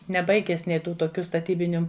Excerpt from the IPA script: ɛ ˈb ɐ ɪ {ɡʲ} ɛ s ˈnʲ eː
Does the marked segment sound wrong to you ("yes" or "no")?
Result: no